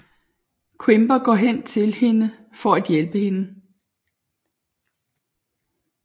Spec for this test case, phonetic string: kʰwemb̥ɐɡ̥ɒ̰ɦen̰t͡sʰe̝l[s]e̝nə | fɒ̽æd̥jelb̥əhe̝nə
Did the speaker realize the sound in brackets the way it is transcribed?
no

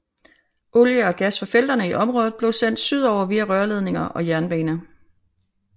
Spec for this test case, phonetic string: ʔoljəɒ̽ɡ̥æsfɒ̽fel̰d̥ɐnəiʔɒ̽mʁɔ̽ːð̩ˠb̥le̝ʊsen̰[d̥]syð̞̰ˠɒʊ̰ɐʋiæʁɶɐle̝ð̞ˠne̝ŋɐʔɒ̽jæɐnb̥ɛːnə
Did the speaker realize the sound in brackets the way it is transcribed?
yes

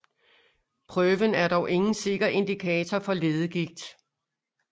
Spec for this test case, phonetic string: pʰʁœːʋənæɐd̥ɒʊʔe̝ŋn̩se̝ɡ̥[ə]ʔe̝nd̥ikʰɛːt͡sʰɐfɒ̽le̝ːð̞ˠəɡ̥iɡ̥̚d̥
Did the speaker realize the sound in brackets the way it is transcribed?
no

